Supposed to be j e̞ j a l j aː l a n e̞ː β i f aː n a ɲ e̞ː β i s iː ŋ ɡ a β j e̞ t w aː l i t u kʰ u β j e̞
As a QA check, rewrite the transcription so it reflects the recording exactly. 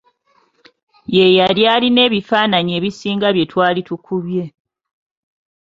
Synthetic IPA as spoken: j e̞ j a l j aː l i n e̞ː β i f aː n a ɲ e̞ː β i s iː ŋ ɡ a β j e̞ t w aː l i t u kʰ u β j e̞